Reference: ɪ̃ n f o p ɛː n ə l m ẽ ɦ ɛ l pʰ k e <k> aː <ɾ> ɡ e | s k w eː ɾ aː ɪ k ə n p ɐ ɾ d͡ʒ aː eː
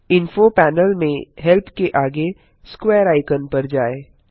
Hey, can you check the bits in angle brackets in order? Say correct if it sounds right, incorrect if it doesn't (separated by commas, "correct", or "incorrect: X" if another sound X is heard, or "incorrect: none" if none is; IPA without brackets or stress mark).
incorrect: ʔ, incorrect: none